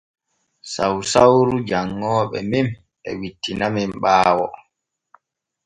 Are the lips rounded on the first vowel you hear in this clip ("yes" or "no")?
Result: no